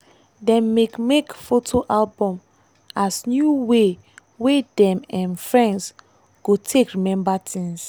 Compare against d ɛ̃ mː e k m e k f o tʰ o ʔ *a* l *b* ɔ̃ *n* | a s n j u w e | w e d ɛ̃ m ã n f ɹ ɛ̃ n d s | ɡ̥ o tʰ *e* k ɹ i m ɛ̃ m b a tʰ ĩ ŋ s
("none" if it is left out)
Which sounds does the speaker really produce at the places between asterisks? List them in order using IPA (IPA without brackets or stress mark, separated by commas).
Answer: a, b, m, e